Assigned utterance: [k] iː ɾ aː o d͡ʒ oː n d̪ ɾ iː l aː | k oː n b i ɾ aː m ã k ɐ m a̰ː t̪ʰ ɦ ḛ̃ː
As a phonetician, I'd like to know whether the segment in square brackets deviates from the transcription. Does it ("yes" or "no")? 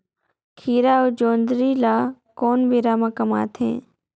yes